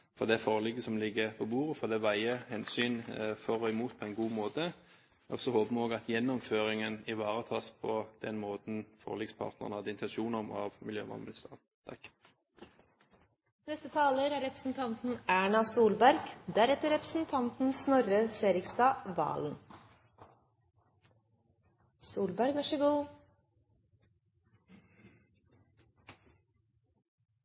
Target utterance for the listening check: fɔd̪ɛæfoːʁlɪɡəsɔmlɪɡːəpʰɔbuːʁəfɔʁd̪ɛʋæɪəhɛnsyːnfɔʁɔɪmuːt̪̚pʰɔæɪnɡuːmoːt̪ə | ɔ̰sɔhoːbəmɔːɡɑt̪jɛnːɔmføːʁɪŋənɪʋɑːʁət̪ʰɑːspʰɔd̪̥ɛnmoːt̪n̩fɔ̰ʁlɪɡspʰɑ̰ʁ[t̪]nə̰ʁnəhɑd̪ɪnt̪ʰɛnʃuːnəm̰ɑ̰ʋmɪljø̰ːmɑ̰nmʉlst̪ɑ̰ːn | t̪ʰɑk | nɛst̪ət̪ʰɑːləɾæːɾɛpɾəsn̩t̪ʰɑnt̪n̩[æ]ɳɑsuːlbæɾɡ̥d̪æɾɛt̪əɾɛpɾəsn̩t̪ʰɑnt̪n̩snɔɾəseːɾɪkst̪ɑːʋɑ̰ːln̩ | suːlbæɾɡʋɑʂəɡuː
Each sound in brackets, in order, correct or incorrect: correct, incorrect

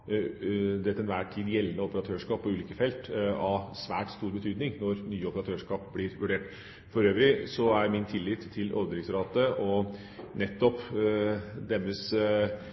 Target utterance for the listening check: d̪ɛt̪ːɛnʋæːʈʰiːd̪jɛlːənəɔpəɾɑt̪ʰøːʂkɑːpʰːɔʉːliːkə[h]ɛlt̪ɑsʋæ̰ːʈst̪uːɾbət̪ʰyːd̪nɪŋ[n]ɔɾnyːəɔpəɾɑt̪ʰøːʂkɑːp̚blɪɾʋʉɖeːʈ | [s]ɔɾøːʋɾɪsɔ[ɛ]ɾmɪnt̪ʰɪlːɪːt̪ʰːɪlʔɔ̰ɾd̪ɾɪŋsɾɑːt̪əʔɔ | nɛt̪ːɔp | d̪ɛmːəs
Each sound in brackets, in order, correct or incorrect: incorrect, correct, incorrect, incorrect

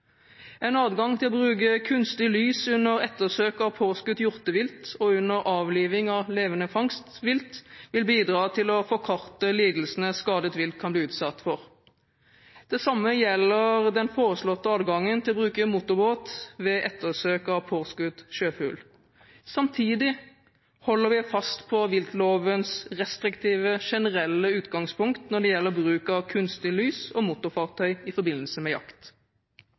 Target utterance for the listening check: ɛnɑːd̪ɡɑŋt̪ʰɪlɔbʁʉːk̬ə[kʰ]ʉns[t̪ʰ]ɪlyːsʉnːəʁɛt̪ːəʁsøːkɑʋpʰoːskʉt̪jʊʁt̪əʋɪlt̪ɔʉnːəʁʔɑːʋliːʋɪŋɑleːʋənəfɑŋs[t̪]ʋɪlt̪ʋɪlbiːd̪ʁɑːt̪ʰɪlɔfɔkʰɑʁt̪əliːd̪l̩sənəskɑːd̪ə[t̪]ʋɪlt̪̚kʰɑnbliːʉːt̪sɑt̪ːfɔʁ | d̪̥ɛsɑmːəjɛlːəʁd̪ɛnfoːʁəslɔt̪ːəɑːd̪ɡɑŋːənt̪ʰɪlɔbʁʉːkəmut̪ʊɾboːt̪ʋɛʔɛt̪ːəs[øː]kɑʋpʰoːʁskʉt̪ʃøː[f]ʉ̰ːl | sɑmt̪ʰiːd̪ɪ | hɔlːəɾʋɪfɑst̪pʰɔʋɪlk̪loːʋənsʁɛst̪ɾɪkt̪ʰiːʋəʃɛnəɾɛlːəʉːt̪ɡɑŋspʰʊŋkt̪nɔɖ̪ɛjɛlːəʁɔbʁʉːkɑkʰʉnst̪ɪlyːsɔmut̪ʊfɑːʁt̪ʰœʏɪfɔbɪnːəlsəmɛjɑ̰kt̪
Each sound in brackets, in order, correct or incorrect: correct, incorrect, correct, correct, correct, correct

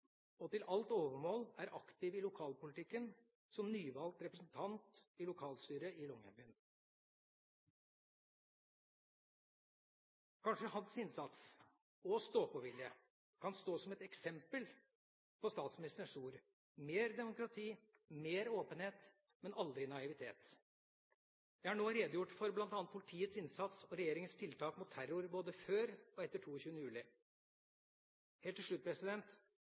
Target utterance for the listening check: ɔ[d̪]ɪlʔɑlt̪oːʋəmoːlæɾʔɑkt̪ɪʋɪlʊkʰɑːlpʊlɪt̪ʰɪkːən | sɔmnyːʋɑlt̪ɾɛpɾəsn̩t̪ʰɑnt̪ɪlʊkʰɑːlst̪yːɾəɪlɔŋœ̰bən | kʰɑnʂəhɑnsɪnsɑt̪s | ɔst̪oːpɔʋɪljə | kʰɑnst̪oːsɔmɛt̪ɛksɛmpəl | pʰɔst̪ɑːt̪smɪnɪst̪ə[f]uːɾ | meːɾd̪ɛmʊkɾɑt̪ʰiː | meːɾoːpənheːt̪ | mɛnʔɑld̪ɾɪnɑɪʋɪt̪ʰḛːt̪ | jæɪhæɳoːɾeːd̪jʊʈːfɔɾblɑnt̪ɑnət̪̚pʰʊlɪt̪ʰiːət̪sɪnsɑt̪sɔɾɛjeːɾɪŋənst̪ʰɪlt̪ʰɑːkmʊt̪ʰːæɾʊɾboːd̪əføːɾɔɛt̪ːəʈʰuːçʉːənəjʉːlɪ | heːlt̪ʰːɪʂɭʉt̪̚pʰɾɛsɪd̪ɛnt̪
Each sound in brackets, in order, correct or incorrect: incorrect, incorrect

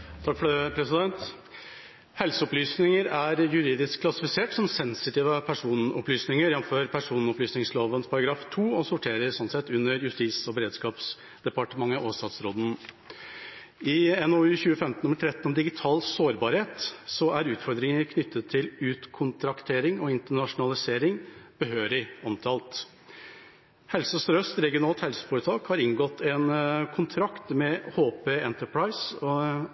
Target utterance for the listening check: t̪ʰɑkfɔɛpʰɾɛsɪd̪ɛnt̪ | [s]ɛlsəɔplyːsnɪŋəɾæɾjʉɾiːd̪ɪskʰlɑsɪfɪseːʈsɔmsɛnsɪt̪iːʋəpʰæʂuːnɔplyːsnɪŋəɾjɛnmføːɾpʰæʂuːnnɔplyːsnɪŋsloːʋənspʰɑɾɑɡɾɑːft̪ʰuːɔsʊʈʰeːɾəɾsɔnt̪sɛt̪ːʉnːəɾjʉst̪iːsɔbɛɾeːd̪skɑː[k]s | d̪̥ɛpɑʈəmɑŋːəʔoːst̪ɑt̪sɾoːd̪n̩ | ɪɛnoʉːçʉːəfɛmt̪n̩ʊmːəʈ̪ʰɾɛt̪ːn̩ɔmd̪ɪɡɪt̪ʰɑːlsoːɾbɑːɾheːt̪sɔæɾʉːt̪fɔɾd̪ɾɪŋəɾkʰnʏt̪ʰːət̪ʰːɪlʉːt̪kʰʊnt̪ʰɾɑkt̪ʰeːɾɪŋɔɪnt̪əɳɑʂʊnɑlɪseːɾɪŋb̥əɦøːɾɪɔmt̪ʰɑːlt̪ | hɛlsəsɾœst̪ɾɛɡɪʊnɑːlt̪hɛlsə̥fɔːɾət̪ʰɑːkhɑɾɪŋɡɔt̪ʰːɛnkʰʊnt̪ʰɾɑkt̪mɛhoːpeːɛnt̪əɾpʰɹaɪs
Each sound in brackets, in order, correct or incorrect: incorrect, incorrect

